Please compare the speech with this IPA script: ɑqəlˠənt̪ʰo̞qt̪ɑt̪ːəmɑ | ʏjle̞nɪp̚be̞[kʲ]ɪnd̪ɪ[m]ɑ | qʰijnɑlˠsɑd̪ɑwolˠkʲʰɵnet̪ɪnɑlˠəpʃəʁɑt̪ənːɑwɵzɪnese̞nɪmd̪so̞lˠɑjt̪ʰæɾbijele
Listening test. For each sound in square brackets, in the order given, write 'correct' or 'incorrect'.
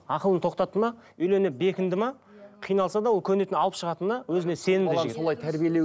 correct, correct

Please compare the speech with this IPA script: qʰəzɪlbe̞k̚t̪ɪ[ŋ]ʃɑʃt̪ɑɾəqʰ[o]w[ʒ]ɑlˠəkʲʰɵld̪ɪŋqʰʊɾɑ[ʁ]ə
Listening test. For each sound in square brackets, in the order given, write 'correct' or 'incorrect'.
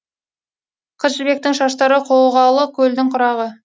correct, correct, incorrect: ʁ, correct

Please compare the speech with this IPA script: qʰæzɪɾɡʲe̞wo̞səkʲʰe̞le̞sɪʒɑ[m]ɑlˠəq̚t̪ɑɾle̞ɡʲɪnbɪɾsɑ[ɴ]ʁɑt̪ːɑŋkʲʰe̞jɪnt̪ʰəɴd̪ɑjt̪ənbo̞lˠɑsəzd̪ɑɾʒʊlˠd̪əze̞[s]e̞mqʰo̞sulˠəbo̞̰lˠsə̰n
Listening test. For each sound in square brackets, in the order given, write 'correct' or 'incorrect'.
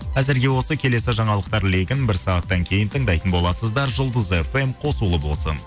incorrect: ɴ, incorrect: none, incorrect: f

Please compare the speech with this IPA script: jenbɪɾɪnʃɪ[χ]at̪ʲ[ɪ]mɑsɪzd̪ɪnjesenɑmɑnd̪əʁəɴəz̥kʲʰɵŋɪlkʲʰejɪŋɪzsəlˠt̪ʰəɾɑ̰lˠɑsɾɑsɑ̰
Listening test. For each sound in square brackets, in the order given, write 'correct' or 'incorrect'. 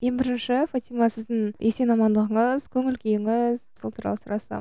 incorrect: f, incorrect: i

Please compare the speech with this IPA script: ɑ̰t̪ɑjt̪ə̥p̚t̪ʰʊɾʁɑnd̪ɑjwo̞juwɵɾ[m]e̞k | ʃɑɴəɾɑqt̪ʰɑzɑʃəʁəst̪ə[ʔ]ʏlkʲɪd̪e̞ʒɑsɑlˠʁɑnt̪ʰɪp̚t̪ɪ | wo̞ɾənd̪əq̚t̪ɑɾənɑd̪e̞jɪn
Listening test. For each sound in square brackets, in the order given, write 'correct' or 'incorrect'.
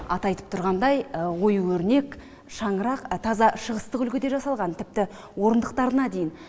incorrect: n, incorrect: q

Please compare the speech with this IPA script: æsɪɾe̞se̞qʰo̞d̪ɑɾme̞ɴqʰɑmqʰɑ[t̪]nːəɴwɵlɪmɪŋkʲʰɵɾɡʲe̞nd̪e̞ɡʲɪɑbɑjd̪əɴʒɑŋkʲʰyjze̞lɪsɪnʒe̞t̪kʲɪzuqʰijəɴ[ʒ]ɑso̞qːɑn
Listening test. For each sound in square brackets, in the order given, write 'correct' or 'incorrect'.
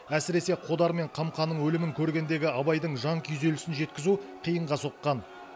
incorrect: none, incorrect: ʁ

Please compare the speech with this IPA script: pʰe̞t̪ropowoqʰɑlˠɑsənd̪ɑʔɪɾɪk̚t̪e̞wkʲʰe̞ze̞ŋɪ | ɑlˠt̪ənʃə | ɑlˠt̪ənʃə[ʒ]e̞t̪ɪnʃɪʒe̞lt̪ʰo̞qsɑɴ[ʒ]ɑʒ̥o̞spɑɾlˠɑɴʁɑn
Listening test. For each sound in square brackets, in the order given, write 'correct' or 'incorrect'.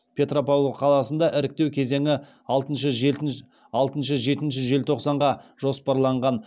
correct, incorrect: ʁ

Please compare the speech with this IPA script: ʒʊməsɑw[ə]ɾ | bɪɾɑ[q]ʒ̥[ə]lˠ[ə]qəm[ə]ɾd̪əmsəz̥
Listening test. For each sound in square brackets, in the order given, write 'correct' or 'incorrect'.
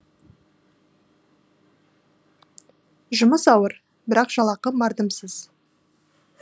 correct, correct, incorrect: ɑ, incorrect: ɑ, incorrect: ɑ

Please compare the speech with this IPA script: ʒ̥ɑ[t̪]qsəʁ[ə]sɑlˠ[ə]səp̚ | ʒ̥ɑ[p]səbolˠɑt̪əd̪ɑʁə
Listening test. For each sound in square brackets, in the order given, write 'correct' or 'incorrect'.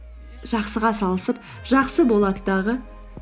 incorrect: none, incorrect: ɑ, correct, incorrect: q

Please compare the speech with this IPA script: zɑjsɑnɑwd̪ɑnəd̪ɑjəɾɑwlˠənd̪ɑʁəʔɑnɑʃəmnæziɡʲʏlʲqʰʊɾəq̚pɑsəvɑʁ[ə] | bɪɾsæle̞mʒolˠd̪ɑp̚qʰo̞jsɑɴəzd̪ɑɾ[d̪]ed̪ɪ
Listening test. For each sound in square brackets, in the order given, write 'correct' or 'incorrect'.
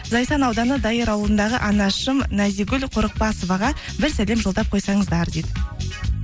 incorrect: ɑ, correct

